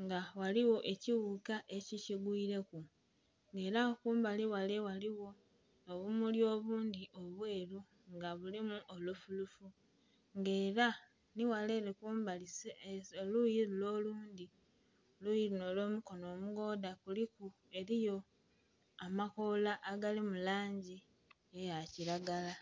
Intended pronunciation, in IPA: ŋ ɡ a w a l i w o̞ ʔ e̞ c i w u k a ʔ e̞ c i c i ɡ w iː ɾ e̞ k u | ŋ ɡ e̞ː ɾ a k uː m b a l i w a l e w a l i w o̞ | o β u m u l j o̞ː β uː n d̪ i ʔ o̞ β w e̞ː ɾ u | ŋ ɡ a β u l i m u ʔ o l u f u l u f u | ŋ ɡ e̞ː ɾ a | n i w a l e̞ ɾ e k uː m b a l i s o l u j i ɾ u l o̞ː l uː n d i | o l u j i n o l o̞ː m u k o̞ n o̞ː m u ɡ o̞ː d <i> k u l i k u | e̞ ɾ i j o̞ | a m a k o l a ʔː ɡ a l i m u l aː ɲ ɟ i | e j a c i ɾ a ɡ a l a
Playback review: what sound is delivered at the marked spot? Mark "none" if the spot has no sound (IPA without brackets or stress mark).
a